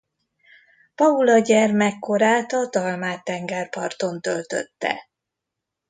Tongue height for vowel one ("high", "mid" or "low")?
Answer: low